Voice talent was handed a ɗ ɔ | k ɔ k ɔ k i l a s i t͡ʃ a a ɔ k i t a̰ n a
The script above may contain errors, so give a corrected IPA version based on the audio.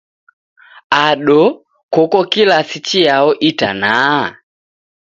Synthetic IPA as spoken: a ɗ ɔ | k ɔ k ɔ k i l a s i t͡ʃ i a ɔ ʔ i t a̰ n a